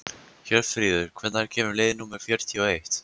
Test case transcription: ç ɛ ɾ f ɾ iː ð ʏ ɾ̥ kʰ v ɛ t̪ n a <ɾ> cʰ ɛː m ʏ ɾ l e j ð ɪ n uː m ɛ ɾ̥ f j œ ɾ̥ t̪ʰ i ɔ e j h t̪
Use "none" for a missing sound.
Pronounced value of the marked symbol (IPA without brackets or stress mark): ɾ